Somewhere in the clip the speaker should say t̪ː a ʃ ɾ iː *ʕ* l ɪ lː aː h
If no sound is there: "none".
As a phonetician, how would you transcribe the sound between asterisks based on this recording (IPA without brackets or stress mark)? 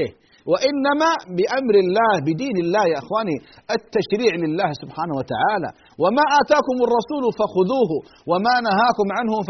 ʕ